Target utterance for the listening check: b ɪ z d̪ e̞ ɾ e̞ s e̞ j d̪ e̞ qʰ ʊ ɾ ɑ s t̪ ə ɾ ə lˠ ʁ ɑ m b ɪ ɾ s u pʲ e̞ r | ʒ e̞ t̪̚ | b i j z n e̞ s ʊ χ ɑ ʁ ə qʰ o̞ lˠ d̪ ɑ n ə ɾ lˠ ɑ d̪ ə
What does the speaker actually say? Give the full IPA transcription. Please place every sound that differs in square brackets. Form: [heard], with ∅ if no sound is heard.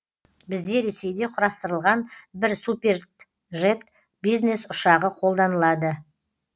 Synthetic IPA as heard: b ɪ z d̪ e̞ ɾ e̞ s e̞ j d̪ e̞ qʰ ʊ ɾ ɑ s t̪ ə ɾ ə lˠ ʁ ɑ [n] b ɪ ɾ s u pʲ e̞ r | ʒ e̞ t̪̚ | b i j z n e̞ s ʊ [ʃ] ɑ ʁ ə qʰ o̞ lˠ d̪ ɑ n ə [∅] lˠ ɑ d̪ ə